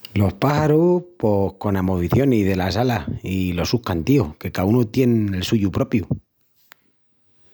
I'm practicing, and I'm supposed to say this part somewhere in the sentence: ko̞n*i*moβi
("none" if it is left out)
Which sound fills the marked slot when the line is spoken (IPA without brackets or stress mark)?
a